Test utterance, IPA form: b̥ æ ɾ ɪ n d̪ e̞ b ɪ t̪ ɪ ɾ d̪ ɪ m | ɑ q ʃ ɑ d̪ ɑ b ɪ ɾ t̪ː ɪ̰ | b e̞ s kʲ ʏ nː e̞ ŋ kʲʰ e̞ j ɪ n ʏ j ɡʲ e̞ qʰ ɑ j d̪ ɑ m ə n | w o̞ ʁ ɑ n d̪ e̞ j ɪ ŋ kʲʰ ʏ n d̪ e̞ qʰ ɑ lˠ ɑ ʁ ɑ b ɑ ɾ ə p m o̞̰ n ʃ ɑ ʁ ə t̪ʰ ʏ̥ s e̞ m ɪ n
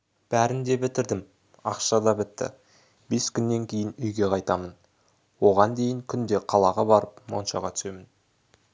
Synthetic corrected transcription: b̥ æ ɾ ɪ n d̪ e̞ b ɪ t̪ ɪ ɾ d̪ ɪ m | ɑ q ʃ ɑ d̪ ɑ b ɪ t̪ː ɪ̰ | b e̞ s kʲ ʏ nː e̞ ŋ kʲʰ e̞ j ɪ n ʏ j ɡʲ e̞ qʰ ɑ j t̪ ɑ m ə n | w o̞ ʁ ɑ n d̪ e̞ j ɪ ŋ kʲʰ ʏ n d̪ e̞ qʰ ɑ lˠ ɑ ʁ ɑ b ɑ ɾ ə p m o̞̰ n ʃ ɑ ʁ ɑ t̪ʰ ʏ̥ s e̞ m ɪ n